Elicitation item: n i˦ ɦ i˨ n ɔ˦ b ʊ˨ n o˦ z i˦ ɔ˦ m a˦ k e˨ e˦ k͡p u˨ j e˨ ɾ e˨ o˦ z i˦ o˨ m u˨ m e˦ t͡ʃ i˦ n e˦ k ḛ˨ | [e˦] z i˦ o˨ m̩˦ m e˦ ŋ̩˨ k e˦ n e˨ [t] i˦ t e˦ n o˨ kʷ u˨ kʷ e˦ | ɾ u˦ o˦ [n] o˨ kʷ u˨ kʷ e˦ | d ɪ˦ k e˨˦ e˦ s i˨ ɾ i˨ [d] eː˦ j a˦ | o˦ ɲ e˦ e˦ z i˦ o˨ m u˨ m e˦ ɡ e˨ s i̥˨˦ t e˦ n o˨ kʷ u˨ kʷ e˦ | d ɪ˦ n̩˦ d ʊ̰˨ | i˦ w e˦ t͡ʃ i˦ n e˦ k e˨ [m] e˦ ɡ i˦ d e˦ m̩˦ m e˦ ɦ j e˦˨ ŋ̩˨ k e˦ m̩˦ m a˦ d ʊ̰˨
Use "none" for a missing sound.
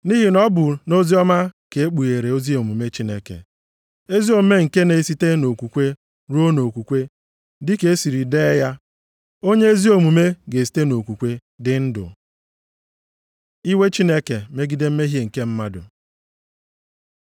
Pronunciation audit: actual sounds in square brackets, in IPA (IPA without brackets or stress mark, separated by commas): e˦, s, n, d, m